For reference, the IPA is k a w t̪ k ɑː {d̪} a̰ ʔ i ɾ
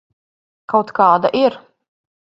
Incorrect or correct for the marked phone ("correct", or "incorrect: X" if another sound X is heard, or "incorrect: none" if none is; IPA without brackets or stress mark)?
correct